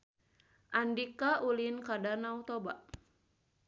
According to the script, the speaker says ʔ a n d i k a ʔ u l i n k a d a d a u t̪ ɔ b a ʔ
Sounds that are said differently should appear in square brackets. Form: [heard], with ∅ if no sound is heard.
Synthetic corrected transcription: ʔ a n d i k a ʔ u l i n k a d a [n] a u t̪ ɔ b a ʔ